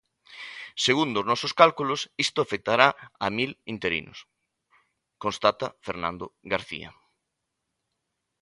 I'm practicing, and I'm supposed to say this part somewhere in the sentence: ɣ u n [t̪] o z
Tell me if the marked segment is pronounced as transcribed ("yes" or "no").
no